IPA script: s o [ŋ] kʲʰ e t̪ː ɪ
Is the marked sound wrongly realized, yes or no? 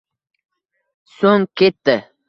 no